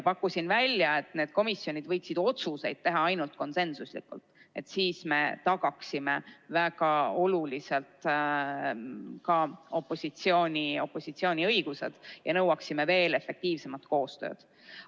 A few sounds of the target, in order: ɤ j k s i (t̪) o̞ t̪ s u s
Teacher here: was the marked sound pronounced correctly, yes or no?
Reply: no